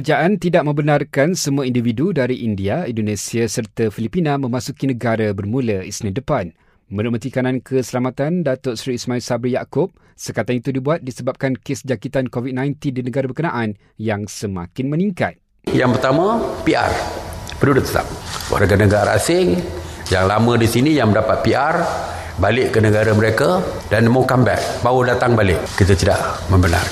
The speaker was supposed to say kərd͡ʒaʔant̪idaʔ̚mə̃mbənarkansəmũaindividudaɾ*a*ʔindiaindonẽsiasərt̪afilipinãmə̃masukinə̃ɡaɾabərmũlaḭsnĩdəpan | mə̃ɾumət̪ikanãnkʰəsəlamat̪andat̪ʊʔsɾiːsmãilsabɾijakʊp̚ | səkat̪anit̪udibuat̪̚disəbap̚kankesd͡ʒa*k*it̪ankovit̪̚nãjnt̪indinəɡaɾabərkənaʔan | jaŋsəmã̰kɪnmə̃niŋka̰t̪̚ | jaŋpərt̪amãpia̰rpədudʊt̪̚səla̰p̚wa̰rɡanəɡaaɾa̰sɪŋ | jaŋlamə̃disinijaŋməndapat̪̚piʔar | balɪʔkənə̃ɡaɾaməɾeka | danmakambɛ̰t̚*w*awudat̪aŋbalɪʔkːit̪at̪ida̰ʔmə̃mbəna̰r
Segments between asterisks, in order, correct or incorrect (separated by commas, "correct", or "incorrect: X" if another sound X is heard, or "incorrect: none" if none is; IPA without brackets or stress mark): incorrect: i, correct, incorrect: b